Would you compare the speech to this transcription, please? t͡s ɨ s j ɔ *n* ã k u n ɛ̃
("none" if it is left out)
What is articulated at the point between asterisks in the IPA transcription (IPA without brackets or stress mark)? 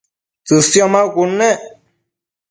m